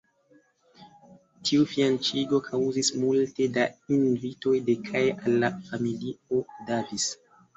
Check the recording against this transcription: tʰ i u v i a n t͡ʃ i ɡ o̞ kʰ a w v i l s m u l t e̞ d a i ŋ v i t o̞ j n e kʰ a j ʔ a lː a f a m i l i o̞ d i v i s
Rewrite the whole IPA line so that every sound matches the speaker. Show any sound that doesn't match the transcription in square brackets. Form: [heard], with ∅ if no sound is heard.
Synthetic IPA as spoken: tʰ i u [f] i a n t͡ʃ i ɡ o̞ kʰ a w [z] i [∅] s m u l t e̞ d a i [n] v i t o̞ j [d] e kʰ a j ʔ a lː a f a m i l i o̞ d [a] v i s